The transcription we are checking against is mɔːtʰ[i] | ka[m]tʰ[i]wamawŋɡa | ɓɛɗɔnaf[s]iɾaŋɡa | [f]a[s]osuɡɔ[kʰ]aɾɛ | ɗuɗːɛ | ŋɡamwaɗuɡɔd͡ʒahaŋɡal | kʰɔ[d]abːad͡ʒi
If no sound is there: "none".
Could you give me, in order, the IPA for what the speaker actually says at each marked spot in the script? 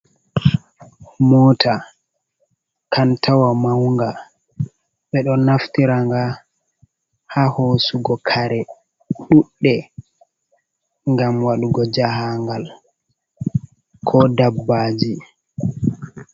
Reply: a, n, a, t, h, h, kʰ, d

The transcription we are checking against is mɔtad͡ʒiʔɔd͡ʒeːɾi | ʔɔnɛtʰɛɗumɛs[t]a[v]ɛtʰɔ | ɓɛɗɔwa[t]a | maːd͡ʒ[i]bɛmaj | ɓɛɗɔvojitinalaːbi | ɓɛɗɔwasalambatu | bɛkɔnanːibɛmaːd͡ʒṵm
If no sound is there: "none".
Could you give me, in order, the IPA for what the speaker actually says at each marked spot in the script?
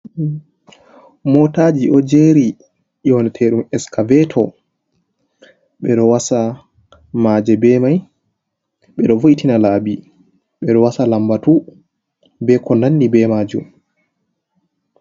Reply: k, v, s, ɛ

